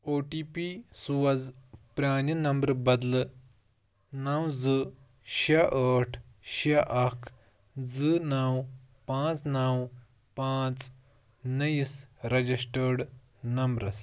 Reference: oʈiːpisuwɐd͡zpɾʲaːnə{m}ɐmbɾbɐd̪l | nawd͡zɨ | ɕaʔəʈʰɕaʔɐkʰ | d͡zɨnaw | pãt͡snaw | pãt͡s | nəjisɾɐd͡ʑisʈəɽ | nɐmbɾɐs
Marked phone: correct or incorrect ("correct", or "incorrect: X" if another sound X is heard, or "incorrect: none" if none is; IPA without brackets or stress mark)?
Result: incorrect: n